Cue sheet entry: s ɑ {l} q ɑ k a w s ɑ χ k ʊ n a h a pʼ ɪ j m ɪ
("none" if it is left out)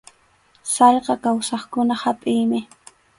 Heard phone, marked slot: ʎ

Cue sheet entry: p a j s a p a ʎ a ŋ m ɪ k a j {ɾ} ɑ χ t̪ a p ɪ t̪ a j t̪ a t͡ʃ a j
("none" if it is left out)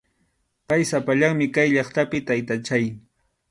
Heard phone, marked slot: ʎ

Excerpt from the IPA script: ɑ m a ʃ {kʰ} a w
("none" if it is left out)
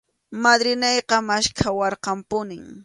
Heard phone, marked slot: kʰ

